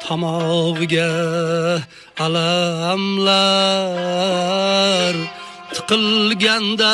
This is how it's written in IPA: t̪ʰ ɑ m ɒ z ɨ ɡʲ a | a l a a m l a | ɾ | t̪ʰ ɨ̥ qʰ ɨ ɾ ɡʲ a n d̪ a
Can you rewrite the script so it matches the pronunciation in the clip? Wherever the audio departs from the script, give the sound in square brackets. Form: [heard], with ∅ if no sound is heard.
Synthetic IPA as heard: t̪ʰ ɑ m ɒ [ʁ] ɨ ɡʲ a | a l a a m l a | ɾ | t̪ʰ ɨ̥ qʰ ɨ [l] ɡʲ a n d̪ a